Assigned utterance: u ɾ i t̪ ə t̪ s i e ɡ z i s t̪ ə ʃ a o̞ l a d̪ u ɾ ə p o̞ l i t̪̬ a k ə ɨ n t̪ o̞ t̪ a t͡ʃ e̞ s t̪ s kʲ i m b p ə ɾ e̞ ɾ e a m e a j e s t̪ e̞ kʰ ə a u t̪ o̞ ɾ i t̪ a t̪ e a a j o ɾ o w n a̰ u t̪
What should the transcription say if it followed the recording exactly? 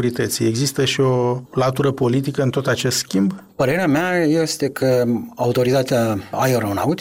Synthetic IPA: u ɾ i t̪ ə t̪ s i e ɡ z i s t̪ ə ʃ i o̞ l a t̪ u ɾ ə p o̞ l i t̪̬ i k ə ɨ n t̪ o̞ t̪ a t͡ʃ e̞ s t̪ s kʲ i m b p ə ɾ e̞ ɾ e a m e a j e s t̪ e̞ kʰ ə a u t̪ o̞ ɾ i t̪ a t̪ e a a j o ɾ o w n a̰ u t̪